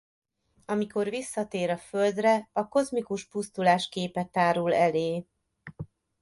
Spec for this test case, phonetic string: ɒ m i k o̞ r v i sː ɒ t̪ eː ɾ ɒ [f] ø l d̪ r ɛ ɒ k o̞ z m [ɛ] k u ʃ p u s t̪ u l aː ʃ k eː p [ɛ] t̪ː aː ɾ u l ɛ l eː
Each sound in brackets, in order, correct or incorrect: correct, incorrect: i, correct

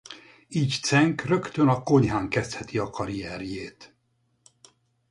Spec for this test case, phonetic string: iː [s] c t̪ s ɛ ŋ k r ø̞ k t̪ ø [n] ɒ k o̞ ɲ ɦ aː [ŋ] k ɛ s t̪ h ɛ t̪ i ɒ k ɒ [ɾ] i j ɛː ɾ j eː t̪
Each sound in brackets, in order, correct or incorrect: incorrect: none, correct, correct, correct

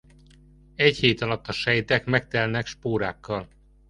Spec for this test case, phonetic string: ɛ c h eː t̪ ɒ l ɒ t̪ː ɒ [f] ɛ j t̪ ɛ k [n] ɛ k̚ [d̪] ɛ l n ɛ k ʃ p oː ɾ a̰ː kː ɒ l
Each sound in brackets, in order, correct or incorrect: incorrect: ʃ, incorrect: m, incorrect: t̪

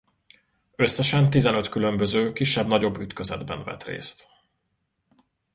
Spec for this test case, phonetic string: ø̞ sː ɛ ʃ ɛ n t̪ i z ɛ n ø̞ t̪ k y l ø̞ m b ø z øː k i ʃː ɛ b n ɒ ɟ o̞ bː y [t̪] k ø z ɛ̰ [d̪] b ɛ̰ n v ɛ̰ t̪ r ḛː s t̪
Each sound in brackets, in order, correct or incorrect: correct, correct

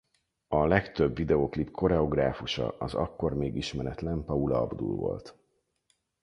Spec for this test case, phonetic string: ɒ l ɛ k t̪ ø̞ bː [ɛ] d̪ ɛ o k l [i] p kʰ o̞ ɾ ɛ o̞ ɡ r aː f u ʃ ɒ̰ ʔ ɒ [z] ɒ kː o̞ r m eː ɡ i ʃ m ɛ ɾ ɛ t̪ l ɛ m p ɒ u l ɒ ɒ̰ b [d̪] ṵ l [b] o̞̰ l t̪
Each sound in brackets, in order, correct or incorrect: incorrect: i, correct, correct, correct, incorrect: v

